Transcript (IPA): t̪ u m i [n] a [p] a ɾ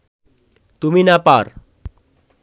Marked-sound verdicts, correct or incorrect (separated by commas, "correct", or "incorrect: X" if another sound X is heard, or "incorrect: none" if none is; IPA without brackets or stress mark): correct, correct